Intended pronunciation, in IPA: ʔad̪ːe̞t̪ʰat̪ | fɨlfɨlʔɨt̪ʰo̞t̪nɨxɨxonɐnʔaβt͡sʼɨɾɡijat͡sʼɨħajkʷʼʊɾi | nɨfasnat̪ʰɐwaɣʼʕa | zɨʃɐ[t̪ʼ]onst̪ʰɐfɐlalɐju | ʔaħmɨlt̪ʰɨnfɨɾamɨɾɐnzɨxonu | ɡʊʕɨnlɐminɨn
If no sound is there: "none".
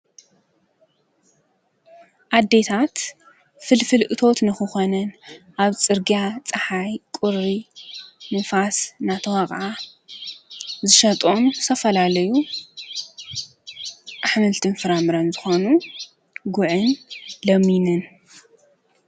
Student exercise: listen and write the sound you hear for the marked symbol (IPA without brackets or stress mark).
t̪ʼ